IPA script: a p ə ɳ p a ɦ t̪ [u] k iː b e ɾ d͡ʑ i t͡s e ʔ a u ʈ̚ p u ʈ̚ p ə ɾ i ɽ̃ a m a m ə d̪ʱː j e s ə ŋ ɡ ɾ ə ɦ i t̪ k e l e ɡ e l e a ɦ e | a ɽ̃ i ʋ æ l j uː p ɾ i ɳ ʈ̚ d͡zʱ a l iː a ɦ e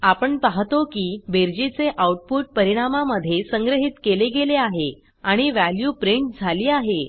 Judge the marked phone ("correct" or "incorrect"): incorrect